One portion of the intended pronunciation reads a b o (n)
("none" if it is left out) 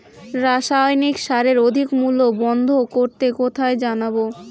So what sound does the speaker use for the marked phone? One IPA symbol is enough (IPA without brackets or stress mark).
none